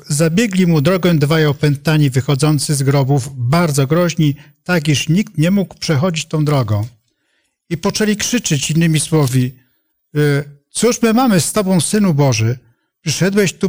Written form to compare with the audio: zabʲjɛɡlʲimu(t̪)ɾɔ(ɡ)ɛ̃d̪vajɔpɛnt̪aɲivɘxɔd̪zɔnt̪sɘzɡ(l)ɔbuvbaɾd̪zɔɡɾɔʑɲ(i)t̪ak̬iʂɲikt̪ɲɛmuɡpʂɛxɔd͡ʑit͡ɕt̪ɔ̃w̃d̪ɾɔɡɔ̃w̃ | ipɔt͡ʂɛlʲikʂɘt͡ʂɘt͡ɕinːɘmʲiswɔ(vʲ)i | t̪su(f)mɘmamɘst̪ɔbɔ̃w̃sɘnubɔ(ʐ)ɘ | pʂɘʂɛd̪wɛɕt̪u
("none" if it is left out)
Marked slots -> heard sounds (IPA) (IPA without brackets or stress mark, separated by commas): d̪, ɡ, ɾ, i, vʲ, ʂ, ʐ